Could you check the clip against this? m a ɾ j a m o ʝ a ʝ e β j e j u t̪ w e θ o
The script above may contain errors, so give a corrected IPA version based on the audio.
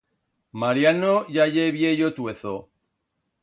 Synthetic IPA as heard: m a ɾ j a n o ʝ a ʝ e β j e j o t̪ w e θ o